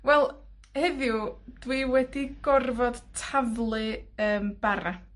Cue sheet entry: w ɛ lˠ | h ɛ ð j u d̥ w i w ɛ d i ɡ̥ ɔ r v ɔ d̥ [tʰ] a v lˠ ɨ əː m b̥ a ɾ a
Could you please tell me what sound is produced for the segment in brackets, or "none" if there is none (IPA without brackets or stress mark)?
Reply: tʰ